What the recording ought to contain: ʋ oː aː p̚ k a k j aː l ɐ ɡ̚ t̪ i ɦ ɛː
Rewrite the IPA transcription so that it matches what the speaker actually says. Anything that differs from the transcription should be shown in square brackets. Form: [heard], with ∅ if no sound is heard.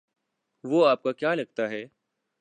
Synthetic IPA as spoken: ʋ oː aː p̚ k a k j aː l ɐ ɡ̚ t̪ [a] ɦ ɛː